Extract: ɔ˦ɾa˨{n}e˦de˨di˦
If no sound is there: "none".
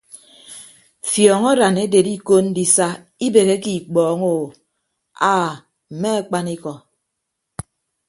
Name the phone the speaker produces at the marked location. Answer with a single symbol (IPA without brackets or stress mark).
n